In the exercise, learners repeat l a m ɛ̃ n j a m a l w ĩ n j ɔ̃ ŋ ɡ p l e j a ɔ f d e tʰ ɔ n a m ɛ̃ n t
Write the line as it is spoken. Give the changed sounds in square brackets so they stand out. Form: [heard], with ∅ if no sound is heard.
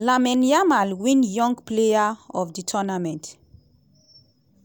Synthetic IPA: l a m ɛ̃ n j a m a l w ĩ n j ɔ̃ ŋ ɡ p l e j a ɔ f d [i] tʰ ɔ n a m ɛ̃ n t

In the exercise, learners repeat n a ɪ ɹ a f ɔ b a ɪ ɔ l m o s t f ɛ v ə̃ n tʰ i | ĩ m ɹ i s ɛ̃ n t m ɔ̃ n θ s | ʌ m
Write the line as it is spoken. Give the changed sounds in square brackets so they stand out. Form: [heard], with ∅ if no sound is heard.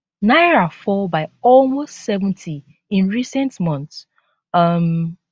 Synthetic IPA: n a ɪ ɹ a f ɔ b a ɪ ɔ l m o s t [s] ɛ v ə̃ n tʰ i | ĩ [n] ɹ i s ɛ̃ n t m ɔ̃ n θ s | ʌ m

